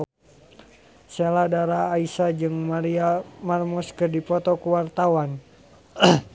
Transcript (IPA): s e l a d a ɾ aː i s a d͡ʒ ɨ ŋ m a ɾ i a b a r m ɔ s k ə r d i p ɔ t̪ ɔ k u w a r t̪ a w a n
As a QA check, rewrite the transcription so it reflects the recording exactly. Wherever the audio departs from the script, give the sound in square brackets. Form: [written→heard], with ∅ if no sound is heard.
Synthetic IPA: s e l a d a ɾ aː i s a d͡ʒ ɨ ŋ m a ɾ i a [b→m] a r m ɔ s k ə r d i p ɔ t̪ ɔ k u w a r t̪ a w a n